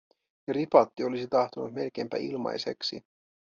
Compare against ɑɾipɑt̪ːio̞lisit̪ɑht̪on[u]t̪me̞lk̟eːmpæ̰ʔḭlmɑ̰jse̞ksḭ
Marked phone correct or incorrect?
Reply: correct